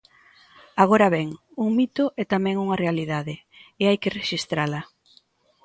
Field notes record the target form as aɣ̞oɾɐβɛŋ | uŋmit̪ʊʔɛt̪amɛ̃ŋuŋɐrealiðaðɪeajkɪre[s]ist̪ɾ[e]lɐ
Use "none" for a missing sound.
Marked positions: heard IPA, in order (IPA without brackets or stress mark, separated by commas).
ʃ, a